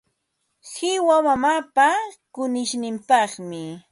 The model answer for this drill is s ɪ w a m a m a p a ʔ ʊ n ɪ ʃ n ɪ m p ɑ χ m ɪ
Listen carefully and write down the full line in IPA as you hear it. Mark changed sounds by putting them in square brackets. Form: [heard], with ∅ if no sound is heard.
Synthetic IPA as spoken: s ɪ w a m a m a p a [k] ʊ n ɪ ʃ n ɪ m p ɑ χ m ɪ